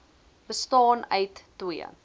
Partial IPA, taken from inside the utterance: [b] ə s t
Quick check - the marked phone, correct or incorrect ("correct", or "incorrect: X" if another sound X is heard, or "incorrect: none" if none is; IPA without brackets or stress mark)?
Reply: correct